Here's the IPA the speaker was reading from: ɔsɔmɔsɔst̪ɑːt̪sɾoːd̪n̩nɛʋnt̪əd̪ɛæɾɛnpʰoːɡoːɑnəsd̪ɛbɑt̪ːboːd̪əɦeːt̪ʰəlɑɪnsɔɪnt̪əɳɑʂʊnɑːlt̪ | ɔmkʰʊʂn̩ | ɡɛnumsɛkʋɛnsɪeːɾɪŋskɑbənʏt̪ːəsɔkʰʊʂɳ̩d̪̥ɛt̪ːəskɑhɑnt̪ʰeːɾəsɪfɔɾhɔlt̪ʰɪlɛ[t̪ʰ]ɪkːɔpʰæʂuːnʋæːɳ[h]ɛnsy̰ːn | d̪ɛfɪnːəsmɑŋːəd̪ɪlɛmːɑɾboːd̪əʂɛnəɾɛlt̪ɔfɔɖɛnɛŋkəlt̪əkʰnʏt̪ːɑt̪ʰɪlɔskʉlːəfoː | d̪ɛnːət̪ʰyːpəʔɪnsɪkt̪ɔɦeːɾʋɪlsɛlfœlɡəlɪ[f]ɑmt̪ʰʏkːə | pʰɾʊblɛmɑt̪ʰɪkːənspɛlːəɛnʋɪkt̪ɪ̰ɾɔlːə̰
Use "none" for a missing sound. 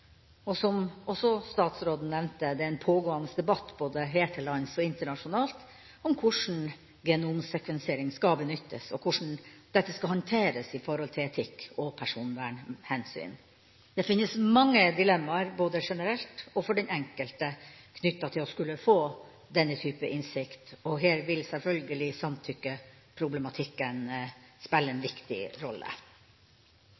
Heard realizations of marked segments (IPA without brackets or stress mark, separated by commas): t̪ʰ, h, s